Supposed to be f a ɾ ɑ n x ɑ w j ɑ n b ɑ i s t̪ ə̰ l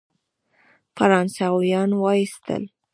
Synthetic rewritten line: f a ɾ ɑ n s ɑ w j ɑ n w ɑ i s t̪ ə̰ l